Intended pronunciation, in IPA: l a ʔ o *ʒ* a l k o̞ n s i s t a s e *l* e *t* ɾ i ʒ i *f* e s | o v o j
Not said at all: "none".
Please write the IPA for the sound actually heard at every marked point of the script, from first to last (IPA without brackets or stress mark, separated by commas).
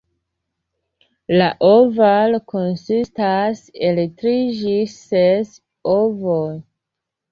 v, l, t, s